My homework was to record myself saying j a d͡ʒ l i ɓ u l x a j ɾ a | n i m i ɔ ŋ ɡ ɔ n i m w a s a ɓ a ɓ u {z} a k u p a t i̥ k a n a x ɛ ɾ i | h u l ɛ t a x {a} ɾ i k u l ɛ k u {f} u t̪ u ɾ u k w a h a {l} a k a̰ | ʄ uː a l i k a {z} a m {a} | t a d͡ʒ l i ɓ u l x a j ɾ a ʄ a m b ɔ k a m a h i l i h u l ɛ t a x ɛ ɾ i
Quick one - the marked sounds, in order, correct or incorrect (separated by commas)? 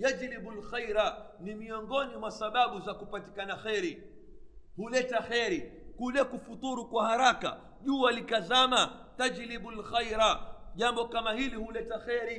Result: correct, incorrect, correct, incorrect, correct, correct